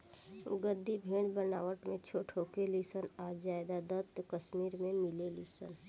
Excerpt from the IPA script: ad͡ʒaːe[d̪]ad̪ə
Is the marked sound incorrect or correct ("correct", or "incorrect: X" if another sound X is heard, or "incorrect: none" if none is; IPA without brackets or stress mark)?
correct